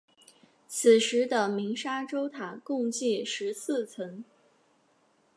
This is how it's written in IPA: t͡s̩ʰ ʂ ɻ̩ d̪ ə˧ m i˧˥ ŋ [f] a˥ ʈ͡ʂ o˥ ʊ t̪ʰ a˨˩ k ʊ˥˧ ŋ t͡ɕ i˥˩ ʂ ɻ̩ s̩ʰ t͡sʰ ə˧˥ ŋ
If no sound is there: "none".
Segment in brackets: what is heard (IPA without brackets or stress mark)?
ʂ